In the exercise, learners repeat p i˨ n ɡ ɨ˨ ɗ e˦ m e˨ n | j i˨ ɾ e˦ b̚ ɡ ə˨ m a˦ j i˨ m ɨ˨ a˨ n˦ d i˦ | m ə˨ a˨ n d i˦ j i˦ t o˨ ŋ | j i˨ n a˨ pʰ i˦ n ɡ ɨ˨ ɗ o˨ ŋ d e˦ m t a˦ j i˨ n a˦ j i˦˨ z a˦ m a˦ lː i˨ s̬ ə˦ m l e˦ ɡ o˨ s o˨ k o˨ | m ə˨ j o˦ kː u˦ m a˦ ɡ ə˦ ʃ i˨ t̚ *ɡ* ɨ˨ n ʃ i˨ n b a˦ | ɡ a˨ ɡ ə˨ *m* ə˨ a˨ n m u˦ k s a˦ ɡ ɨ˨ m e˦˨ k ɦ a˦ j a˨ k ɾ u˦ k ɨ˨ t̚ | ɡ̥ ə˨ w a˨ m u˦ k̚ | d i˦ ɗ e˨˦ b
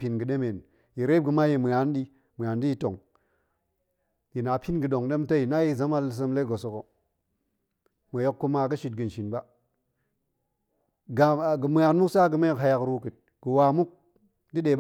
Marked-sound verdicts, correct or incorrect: correct, correct

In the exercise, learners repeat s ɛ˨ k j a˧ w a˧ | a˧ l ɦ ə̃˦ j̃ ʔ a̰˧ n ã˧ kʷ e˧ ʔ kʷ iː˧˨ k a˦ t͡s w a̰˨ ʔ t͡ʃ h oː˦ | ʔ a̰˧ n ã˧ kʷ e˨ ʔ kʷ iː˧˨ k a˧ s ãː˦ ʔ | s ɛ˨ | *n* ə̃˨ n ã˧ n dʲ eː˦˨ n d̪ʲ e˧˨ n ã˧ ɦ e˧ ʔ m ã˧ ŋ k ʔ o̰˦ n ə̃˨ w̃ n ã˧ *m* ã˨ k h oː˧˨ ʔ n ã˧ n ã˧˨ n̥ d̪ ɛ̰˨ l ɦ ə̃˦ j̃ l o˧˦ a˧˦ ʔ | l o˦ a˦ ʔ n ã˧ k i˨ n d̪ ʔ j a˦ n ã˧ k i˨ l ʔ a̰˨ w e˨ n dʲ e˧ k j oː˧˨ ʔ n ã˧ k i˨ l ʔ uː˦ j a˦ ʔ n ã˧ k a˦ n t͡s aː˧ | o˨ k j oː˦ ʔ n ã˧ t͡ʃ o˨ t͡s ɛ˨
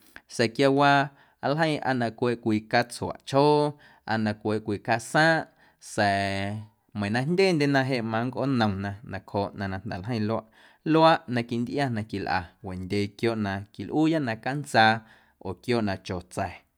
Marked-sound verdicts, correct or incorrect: incorrect, incorrect

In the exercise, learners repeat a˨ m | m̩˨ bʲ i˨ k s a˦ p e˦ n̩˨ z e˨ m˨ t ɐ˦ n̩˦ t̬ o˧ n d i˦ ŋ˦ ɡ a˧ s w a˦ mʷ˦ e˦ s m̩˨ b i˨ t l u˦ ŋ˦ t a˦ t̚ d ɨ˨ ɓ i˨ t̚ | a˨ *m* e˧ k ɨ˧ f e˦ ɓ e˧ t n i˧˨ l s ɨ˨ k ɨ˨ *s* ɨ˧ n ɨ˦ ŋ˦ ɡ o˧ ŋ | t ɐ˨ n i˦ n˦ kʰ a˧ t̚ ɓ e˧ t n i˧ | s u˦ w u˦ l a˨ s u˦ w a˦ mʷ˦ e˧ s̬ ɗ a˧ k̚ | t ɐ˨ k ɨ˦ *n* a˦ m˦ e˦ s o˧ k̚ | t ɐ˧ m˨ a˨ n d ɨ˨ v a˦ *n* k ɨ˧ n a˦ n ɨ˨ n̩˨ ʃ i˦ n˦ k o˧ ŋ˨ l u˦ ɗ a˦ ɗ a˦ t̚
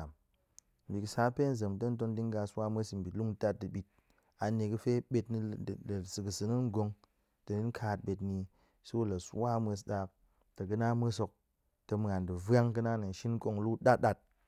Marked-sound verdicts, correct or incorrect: incorrect, correct, correct, incorrect

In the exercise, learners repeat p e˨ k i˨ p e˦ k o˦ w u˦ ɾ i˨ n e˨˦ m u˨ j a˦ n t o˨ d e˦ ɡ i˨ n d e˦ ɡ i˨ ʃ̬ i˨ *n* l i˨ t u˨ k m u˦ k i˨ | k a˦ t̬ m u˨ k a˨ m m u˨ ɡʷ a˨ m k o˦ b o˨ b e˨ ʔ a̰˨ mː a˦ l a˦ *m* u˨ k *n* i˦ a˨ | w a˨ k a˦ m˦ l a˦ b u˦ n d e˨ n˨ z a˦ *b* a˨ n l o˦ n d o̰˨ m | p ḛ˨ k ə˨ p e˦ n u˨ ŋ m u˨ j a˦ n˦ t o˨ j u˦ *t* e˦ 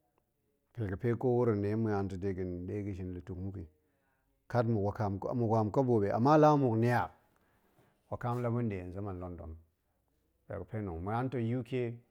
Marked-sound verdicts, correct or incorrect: correct, correct, correct, incorrect, incorrect

